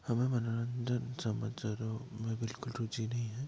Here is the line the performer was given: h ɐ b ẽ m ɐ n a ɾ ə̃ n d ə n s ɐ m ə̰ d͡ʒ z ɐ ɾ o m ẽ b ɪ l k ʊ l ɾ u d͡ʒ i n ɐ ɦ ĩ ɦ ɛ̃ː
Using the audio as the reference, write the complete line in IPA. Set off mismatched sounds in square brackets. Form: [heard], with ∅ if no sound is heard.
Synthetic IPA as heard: h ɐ [m] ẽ m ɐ n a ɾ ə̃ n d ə n s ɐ m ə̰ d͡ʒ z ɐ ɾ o m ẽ b ɪ l k ʊ l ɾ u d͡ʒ i n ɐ ɦ ĩ ɦ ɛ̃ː